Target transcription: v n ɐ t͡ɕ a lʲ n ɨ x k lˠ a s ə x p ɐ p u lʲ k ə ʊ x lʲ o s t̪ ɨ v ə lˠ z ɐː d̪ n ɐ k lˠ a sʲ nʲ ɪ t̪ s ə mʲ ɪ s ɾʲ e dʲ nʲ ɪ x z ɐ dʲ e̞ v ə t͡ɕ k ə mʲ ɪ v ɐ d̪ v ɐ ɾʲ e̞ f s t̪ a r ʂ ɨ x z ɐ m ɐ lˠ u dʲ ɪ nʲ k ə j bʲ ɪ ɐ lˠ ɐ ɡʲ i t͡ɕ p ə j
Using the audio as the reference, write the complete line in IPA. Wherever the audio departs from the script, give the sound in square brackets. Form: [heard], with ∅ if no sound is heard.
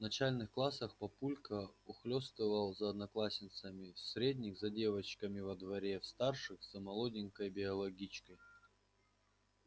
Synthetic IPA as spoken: v n ɐ t͡ɕ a lʲ n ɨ x k lˠ a s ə x p ɐ p u lʲ k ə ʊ x lʲ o s t̪ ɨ v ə lˠ z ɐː d̪ n ɐ k lˠ a sʲ nʲ ɪ t̪ s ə mʲ ɪ s ɾʲ e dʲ nʲ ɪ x z ɐ dʲ e̞ v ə t͡ɕ k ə mʲ ɪ v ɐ d̪ v ɐ ɾʲ e̞ f s t̪ a r ʂ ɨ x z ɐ m ɐ lˠ [o] dʲ ɪ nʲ k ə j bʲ ɪ ɐ lˠ ɐ ɡʲ i t͡ɕ [k] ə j